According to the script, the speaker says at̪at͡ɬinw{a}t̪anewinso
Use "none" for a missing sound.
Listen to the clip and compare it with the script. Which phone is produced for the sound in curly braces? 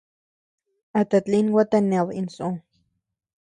a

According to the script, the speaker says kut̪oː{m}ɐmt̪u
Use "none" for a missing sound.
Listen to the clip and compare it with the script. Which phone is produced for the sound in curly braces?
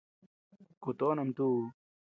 n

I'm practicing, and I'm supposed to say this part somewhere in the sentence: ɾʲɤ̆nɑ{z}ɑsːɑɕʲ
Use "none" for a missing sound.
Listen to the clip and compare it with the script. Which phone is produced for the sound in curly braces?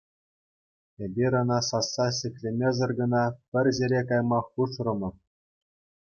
s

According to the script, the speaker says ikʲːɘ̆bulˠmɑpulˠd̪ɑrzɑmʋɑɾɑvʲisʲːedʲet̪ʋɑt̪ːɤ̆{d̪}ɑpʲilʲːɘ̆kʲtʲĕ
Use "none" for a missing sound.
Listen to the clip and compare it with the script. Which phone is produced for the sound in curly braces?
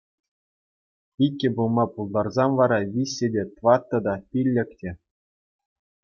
d̪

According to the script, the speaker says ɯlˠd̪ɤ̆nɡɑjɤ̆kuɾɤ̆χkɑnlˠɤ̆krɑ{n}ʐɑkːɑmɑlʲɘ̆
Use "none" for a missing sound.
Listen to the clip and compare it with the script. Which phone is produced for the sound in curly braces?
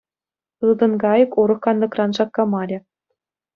n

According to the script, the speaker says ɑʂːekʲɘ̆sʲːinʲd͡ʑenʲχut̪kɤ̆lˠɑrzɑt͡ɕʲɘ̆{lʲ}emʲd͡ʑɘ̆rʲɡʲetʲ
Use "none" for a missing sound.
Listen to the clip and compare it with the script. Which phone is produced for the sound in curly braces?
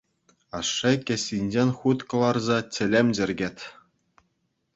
lʲ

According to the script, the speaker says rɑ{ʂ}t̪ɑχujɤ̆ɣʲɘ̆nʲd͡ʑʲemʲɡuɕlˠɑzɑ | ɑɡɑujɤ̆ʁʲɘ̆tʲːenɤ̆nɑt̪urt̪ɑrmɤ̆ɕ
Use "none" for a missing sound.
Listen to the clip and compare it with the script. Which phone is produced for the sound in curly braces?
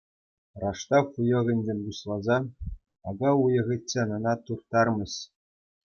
ʂ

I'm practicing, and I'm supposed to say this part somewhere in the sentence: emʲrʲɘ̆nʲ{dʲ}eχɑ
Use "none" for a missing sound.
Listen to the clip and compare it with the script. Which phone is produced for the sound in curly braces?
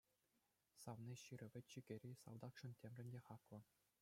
dʲ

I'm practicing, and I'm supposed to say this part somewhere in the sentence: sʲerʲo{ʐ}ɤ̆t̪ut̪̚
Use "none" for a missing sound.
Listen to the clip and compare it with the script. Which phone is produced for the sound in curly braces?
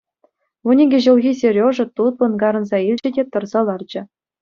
ʐ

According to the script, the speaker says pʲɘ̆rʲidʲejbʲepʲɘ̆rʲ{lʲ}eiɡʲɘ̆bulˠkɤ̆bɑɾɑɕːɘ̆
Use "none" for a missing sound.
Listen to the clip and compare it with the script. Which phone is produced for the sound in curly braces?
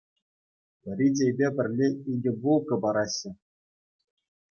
lʲ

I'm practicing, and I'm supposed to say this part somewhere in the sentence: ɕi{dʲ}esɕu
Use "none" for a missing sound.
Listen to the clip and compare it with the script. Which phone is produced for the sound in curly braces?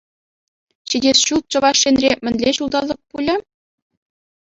dʲ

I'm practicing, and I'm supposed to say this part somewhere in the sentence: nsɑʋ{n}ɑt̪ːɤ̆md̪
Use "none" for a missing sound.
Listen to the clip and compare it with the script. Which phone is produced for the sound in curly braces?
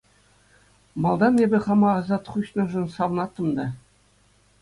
n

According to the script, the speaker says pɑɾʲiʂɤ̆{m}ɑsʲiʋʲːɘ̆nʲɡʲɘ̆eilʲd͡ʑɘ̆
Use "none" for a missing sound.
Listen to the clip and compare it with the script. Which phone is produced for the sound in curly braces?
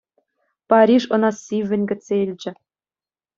n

